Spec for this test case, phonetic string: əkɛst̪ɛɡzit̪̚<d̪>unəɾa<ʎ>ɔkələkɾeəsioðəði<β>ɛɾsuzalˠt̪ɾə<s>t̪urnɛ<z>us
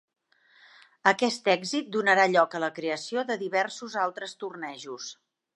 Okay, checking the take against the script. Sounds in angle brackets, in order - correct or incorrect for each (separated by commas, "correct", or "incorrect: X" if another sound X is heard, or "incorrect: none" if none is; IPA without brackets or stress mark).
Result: correct, correct, correct, correct, incorrect: ʒ